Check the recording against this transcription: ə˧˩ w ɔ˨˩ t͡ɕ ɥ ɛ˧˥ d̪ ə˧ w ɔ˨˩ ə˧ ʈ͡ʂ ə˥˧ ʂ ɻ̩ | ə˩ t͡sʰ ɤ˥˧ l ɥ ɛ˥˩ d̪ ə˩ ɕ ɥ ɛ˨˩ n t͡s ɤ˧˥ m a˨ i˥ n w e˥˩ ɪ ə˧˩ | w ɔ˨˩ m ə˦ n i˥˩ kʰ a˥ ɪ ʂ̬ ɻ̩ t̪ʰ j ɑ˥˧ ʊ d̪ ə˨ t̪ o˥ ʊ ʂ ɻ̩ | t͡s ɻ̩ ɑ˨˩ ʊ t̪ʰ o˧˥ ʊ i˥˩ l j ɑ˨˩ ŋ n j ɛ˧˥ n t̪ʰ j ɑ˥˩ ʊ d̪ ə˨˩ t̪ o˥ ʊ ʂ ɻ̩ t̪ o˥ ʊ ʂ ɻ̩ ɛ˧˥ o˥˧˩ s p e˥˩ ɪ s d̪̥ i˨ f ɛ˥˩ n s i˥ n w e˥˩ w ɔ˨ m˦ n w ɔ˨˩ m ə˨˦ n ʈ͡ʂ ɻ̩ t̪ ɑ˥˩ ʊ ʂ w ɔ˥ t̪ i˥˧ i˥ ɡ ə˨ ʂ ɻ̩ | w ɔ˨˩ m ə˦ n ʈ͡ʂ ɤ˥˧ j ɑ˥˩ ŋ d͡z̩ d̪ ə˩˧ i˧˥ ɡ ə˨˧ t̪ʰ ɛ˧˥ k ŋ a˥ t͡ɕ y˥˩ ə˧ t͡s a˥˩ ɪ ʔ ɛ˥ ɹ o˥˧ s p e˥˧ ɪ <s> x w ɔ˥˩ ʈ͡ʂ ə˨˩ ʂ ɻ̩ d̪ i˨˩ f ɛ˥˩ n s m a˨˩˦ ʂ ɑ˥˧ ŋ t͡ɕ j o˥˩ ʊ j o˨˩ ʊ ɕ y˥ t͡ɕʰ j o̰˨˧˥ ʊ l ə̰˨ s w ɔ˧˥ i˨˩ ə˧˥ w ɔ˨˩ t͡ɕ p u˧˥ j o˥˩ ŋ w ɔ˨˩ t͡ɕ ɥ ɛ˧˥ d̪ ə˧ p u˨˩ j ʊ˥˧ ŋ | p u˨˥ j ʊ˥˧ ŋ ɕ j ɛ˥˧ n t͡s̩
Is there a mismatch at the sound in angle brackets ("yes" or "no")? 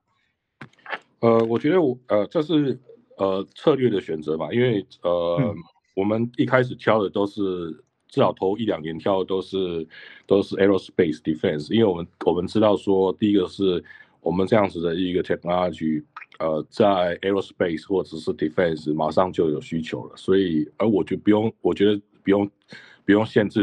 no